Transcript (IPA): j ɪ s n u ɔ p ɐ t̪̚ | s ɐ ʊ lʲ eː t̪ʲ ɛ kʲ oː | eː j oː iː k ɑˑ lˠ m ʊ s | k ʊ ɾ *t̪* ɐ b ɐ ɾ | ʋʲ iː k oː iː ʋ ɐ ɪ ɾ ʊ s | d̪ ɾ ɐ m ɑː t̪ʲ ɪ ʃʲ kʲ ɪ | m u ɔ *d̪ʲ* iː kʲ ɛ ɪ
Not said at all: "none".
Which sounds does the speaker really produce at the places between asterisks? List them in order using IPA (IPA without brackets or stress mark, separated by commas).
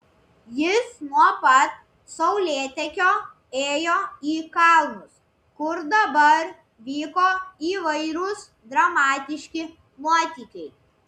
d̪, t̪ʲ